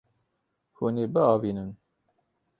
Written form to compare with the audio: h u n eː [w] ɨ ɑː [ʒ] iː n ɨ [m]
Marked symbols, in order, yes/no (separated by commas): no, no, no